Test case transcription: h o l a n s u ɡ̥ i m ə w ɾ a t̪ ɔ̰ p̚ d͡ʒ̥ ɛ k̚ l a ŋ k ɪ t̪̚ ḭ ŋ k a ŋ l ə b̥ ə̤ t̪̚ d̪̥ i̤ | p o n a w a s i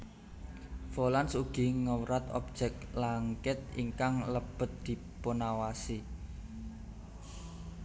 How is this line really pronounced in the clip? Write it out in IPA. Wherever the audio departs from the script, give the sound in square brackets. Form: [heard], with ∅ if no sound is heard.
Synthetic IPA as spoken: [f] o l a n s u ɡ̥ i [ŋ] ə w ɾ a t̪ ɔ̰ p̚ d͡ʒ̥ ɛ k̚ l a ŋ k ɪ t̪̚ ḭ ŋ k a ŋ l ə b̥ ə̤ t̪̚ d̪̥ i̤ | p o n a w a s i